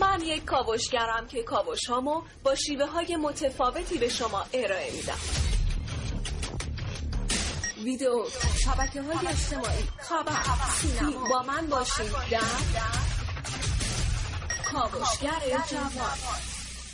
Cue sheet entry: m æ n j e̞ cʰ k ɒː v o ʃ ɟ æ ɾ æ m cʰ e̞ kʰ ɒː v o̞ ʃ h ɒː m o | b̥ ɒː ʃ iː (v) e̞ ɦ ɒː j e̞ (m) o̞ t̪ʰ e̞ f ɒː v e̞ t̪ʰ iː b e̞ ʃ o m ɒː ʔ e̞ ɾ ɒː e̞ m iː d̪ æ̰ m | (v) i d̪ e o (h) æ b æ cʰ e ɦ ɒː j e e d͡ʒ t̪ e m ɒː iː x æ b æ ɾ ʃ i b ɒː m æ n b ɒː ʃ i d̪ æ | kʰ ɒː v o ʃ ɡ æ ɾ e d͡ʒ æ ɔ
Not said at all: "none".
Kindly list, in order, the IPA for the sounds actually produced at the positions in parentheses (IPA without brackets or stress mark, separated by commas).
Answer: v, m, v, ʃ